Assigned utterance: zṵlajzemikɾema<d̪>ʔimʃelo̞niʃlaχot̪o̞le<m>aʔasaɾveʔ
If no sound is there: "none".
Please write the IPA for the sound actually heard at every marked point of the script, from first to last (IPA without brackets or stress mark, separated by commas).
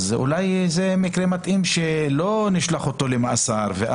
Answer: t̪, m